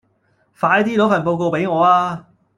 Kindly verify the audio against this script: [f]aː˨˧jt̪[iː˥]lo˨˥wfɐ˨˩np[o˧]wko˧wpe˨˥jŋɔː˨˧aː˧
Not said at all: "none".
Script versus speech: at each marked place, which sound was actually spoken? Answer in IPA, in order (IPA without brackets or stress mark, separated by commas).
f, iː˥, o˧